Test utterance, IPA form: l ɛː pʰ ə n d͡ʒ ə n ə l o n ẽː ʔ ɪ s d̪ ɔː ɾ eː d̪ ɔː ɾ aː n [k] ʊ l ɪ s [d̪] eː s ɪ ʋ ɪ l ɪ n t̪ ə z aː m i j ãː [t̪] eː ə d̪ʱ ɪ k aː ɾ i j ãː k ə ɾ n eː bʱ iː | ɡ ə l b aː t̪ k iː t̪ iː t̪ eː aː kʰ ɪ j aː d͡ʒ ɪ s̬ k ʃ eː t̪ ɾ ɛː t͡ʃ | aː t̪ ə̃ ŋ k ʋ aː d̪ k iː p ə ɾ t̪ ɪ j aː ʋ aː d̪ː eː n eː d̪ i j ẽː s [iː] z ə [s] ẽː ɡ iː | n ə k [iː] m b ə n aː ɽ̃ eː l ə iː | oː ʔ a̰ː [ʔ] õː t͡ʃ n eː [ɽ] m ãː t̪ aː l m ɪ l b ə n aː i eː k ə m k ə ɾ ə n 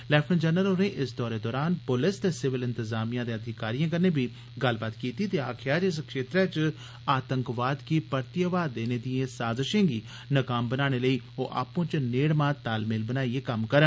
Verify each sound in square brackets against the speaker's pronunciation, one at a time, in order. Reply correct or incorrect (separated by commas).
incorrect, incorrect, incorrect, incorrect, incorrect, incorrect, incorrect, correct